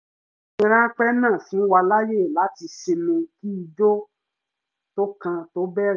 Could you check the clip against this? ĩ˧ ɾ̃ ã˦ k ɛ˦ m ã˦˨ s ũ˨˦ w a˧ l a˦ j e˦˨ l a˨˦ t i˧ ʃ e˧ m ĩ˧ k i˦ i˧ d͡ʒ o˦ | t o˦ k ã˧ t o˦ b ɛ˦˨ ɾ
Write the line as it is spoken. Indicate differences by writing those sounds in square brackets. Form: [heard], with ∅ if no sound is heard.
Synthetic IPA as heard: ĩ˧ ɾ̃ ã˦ [k͡p] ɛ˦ [n] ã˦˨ [f] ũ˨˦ w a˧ l a˦ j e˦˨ l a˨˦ t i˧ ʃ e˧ m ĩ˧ k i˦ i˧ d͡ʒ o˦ | t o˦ k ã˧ t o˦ b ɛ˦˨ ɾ